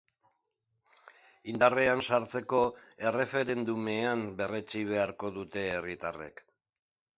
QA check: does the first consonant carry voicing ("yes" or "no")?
yes